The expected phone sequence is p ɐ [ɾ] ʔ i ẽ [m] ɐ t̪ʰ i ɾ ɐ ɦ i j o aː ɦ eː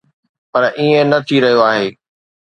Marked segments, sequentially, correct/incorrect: correct, incorrect: n

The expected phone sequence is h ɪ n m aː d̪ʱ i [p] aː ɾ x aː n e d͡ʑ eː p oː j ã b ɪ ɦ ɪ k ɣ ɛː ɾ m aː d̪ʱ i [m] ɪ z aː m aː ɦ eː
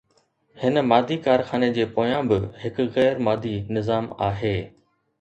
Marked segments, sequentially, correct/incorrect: incorrect: k, incorrect: n

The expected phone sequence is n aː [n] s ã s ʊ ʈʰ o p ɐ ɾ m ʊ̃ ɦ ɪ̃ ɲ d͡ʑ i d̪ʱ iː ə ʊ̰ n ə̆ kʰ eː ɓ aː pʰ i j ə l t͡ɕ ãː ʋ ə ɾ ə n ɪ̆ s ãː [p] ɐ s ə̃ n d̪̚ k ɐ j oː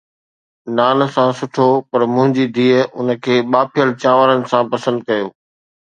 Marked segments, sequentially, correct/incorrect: correct, correct

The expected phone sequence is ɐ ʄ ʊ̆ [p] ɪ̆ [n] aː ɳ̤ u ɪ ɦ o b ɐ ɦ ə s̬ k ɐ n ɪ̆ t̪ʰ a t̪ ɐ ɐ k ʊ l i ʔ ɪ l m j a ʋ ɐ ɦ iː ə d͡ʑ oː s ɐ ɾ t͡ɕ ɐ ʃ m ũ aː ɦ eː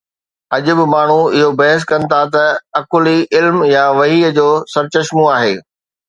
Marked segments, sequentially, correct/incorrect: incorrect: b, incorrect: m

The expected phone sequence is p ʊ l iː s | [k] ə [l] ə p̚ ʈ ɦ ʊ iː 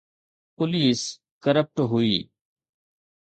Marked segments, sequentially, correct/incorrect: correct, incorrect: ɾ

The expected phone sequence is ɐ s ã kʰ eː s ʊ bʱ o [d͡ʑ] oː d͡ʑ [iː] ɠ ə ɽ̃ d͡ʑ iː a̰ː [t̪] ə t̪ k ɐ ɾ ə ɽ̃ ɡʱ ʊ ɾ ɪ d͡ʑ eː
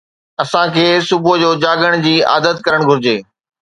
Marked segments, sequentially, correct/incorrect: correct, incorrect: aː, incorrect: d̪

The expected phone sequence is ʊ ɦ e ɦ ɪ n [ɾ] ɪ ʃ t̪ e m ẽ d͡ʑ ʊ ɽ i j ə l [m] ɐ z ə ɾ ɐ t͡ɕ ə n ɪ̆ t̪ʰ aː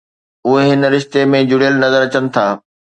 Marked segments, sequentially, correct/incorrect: correct, incorrect: n

